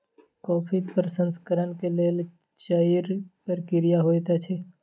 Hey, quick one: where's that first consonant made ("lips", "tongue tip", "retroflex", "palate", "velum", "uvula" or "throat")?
velum